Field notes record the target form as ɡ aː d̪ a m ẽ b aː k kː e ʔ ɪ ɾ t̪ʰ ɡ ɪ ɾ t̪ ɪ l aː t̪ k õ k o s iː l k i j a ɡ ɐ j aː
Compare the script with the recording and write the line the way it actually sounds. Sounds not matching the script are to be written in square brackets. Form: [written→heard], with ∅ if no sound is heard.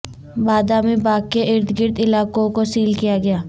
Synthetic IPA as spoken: [ɡ→b] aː d̪ a m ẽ b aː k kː e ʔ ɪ ɾ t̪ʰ ɡ ɪ ɾ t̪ ɪ l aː [t̪→∅] k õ k o s iː l k i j a ɡ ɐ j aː